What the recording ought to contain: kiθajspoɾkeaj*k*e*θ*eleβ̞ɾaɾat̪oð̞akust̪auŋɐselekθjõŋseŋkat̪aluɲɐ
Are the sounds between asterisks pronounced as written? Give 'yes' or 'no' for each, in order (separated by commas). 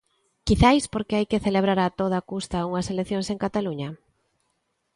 yes, yes